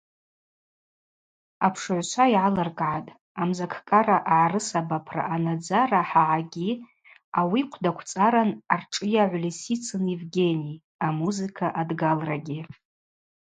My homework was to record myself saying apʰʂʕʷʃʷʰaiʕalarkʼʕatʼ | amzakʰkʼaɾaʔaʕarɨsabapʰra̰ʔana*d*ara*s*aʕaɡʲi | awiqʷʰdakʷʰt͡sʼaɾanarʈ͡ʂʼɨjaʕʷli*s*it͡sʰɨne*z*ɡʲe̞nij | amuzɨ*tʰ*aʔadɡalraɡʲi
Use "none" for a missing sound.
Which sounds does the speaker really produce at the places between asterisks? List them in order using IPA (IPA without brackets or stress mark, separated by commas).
d͡z, ħ, s, v, kʰ